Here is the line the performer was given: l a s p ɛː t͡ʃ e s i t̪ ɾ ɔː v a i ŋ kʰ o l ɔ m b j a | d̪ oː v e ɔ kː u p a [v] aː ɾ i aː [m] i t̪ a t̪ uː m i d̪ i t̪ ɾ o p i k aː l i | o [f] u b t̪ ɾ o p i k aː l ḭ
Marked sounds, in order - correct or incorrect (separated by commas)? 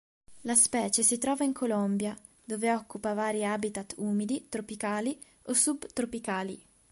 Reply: correct, incorrect, incorrect